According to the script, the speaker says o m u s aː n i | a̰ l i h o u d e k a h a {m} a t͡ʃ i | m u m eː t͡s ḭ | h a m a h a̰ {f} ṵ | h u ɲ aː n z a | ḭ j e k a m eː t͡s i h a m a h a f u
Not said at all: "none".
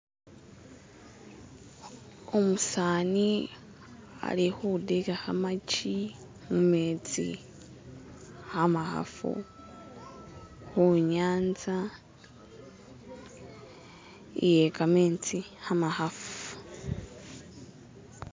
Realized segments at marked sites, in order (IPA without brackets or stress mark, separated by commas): m, f